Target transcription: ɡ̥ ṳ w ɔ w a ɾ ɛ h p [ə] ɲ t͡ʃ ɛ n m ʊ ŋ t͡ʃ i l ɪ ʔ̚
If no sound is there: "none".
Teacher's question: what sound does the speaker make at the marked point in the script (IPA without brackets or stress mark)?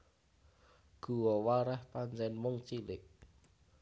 a